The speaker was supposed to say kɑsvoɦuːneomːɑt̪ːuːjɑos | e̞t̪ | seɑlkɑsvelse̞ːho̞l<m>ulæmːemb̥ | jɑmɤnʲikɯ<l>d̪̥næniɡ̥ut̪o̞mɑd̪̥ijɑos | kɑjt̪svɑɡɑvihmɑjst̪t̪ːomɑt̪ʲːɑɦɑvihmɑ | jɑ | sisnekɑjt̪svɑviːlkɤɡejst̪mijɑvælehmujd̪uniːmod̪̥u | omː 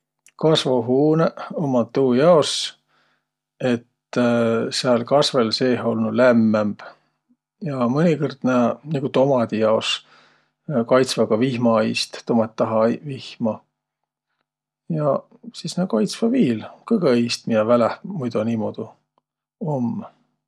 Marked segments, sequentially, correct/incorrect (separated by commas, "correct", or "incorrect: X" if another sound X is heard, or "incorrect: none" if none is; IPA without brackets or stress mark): incorrect: n, incorrect: r